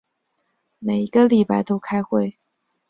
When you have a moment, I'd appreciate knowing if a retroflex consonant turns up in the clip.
no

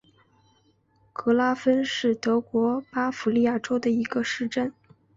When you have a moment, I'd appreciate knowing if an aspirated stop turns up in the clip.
no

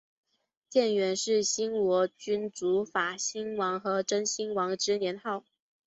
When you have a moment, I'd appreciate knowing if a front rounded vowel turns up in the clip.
yes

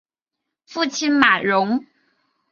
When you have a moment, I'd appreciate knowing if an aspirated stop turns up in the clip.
yes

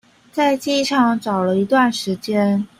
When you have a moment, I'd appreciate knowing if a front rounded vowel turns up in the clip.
no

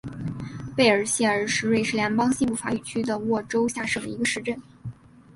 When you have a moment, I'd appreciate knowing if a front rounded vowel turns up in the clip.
yes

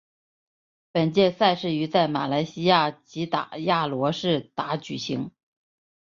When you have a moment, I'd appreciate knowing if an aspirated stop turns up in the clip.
no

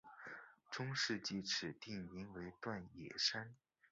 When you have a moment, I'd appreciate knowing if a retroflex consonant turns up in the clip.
yes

